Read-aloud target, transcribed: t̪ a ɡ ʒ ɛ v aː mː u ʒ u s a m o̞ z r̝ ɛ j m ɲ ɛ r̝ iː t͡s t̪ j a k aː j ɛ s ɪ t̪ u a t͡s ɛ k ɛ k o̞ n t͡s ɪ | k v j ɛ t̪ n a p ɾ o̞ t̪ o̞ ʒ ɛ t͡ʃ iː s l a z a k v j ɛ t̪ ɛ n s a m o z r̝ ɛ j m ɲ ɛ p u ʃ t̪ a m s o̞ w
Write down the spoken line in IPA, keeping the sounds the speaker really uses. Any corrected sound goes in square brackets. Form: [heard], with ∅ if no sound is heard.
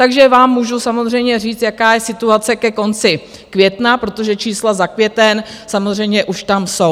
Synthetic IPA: t̪ a ɡ ʒ ɛ v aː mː u ʒ u s a m o̞ z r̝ ɛ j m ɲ ɛ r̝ iː t͡s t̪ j a k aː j ɛ s ɪ t̪ u a t͡s ɛ k ɛ k o̞ n t͡s ɪ | k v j ɛ t̪ n a p ɾ o̞ t̪ o̞ ʒ ɛ t͡ʃ iː s l a z a k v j ɛ t̪ ɛ n s a m o z r̝ ɛ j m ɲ ɛ [ʔ] u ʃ t̪ a m s o̞ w